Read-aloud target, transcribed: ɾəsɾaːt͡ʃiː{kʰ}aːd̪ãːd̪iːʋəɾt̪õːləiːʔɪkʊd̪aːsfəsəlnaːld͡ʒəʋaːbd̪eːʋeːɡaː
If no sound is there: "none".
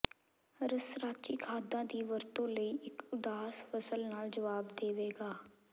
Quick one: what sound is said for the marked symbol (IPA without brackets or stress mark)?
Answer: kʰ